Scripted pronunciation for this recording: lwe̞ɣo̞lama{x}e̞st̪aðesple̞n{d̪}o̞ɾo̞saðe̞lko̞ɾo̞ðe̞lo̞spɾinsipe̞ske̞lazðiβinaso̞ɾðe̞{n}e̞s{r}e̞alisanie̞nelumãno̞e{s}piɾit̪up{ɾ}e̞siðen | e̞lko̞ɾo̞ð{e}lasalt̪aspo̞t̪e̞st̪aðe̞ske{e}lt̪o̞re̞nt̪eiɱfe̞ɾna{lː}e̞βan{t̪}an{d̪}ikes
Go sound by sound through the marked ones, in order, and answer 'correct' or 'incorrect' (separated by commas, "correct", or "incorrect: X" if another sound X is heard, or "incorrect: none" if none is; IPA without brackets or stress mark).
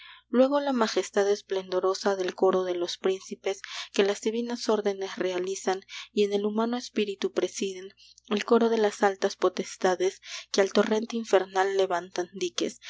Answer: correct, correct, correct, correct, correct, correct, correct, incorrect: a, correct, correct, correct